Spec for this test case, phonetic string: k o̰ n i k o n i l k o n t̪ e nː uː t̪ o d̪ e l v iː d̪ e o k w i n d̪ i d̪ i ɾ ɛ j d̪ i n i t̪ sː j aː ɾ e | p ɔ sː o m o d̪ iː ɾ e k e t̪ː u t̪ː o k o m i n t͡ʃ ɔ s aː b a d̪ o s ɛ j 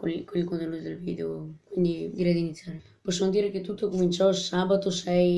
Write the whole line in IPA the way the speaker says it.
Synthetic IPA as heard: k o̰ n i k o n i l k o n t̪ e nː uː t̪ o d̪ e l v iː d̪ e o k w i n d̪ i d̪ i ɾ ɛ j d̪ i n i t̪ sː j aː ɾ e | p ɔ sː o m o d̪ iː ɾ e k e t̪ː u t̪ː o k o m i n t͡ʃ ɔ s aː b a t̪ o s ɛ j